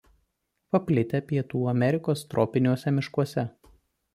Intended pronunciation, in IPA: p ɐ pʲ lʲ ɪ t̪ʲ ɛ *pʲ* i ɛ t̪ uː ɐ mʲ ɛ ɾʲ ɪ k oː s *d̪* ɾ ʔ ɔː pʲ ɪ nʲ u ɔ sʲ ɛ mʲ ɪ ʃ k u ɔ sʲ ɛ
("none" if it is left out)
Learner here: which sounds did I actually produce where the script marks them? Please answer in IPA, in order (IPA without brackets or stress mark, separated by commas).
pʲ, t̪